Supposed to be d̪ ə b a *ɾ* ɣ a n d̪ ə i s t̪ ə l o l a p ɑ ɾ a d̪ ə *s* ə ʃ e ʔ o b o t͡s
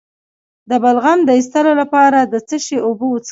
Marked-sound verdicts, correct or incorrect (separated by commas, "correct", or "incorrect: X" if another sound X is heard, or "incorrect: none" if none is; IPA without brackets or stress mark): incorrect: l, incorrect: t͡s